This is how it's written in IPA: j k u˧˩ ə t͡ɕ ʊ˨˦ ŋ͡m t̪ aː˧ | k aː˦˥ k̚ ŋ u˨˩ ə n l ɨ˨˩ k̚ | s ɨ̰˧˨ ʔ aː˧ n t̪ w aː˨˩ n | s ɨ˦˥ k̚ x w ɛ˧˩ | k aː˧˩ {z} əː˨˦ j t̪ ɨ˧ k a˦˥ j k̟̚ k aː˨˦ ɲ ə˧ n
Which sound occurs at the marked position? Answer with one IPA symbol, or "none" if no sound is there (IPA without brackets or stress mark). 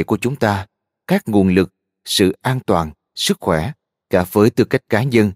v